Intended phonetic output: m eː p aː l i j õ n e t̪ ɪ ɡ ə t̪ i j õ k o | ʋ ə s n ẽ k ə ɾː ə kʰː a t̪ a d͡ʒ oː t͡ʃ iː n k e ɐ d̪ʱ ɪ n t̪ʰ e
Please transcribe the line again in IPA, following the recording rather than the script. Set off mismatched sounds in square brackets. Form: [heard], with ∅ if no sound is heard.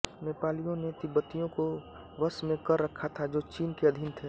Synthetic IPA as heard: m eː p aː l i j õ n e t̪ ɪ [b] ə t̪ i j õ k o | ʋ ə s [m] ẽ k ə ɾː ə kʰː a [t̪ʰ] a d͡ʒ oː t͡ʃ iː n k e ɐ d̪ʱ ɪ n t̪ʰ e

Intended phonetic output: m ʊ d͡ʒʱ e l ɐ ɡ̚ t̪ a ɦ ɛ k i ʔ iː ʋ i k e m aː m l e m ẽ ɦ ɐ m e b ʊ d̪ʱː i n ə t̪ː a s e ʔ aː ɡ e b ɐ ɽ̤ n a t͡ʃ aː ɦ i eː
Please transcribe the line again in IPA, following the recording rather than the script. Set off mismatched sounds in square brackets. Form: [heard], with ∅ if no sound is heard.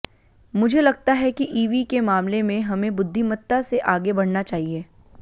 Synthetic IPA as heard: m ʊ d͡ʒʱ e l ɐ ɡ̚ t̪ a ɦ ɛ k i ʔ iː ʋ i k e m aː m l e m ẽ ɦ ɐ m [ẽ] b ʊ d̪ʱː i [m] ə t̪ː a s e ʔ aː ɡ e b ɐ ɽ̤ n a t͡ʃ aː ɦ i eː

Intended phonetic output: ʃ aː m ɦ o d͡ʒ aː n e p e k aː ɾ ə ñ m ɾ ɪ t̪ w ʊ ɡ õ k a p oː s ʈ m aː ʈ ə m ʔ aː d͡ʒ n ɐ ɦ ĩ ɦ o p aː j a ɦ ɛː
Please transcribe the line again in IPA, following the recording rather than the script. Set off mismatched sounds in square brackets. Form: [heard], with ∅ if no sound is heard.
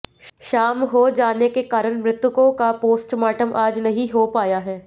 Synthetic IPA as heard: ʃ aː m ɦ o d͡ʒ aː n e [k] e k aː ɾ ə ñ m ɾ ɪ t̪ w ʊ [k] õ k a p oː s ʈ m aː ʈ ə m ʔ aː d͡ʒ n ɐ ɦ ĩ ɦ o p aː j a ɦ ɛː

